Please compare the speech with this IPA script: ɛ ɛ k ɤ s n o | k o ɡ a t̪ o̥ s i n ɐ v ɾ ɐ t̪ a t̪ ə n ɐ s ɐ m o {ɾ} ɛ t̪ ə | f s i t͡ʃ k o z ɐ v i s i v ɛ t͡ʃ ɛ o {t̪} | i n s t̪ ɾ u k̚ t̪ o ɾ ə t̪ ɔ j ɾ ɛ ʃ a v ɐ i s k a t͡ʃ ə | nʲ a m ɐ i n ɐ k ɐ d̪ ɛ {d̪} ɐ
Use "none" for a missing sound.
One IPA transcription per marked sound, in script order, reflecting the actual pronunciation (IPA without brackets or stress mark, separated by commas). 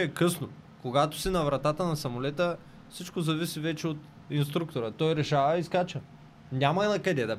l, t̪, d̪